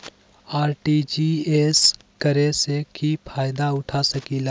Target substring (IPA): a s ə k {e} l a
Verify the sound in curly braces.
incorrect: i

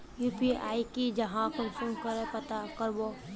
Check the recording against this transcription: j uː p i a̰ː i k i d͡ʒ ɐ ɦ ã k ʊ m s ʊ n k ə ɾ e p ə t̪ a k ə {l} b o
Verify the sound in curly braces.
incorrect: ɾ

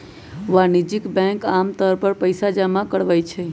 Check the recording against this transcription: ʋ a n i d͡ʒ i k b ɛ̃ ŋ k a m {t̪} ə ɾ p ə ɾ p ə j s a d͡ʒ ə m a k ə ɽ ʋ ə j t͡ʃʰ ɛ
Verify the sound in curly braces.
correct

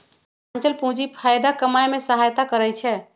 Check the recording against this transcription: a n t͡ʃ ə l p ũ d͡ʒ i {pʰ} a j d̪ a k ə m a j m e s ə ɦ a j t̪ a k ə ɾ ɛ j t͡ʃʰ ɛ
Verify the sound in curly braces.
correct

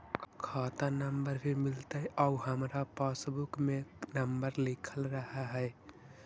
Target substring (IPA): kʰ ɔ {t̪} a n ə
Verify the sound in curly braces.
correct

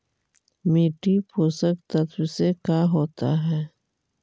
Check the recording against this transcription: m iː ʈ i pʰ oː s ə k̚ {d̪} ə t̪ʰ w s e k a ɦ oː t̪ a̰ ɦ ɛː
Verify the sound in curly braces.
incorrect: t̪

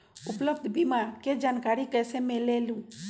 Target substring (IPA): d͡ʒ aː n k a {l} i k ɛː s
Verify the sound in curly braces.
incorrect: ɾ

